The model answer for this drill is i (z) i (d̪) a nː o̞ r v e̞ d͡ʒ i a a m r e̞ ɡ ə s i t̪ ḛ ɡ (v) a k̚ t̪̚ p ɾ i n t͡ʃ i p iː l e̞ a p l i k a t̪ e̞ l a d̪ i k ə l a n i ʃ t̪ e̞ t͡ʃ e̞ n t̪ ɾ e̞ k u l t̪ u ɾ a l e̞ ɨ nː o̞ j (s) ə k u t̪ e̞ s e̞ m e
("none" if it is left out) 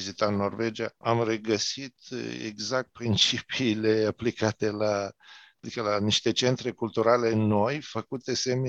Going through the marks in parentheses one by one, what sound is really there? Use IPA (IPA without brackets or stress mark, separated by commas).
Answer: z, t̪, z, f